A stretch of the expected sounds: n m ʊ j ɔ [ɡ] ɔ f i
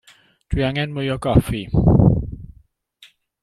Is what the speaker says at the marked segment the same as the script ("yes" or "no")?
yes